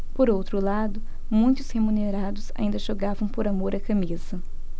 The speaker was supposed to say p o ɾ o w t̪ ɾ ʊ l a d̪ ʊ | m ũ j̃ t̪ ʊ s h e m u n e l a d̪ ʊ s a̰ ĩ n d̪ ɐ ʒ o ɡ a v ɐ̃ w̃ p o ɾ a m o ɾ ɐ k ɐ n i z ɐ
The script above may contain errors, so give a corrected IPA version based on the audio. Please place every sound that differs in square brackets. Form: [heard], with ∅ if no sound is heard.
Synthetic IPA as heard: p o ɾ o w t̪ ɾ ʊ l a d̪ ʊ | m ũ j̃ t̪ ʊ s h e m u n e [ɾ] a d̪ ʊ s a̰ ĩ n d̪ ɐ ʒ o ɡ a v ɐ̃ w̃ p o ɾ a m o ɾ ɐ k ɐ [m] i z ɐ